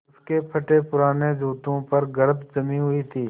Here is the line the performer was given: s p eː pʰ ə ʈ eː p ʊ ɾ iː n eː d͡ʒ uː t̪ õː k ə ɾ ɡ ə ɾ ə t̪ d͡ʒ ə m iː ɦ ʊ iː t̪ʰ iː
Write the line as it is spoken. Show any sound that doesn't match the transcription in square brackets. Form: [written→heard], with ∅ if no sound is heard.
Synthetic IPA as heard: s [p→k] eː pʰ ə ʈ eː p ʊ ɾ [iː→aː] n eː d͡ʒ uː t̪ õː [k→p] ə ɾ ɡ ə ɾ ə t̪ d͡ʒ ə m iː ɦ ʊ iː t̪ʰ iː